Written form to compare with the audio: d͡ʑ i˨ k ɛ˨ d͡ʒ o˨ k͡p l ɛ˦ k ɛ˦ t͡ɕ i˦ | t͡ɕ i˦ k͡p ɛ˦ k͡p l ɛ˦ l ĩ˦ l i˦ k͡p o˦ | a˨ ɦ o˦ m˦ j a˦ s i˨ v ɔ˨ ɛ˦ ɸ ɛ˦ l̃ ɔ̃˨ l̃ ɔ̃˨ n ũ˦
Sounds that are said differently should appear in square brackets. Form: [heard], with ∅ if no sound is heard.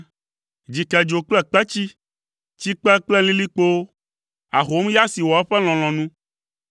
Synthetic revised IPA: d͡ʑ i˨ k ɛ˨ d͡ʒ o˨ k͡p l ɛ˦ [k͡p] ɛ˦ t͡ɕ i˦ | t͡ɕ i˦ k͡p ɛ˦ k͡p l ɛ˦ l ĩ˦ l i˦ k͡p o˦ | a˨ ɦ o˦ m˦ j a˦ s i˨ [w] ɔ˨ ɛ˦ ɸ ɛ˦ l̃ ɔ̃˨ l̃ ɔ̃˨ n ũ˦